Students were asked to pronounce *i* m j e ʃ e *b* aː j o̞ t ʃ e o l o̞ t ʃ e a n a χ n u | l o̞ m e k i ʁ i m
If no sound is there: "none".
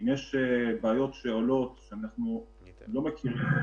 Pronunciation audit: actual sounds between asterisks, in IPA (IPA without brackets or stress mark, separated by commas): i, b